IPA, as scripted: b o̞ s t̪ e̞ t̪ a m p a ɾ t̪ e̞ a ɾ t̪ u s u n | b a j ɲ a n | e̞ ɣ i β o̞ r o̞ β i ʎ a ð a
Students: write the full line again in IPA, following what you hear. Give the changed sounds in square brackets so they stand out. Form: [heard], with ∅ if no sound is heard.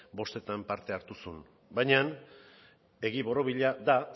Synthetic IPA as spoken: b o̞ s t̪ e̞ t̪ a m p a ɾ t̪ e̞ a ɾ t̪ u s u n | b a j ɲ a n | e̞ ɣ i β o̞ [ɾ] o̞ β i ʎ a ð a

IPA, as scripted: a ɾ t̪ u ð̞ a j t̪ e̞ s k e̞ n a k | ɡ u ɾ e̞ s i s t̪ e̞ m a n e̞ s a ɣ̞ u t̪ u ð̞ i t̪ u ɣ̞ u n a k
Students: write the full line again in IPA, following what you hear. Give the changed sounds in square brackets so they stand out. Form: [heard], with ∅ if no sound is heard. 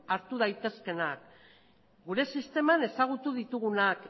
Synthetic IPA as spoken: a ɾ t̪ u ð̞ a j t̪ e̞ s k e̞ n a k | ɡ u ɾ e̞ s i s t̪ e̞ m a n e̞ s a ɣ̞ u t̪ u ð̞ i t̪ u ɣ̞ u n a k

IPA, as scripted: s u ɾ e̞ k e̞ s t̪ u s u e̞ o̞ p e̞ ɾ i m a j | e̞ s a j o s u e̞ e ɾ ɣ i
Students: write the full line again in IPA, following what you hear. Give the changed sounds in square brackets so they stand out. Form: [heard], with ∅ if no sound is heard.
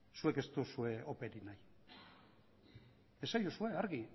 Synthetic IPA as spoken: s u [∅] e̞ k e̞ s t̪ u s u e̞ o̞ p e̞ ɾ i [n] a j | e̞ s a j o s u e̞ [a] ɾ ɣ i

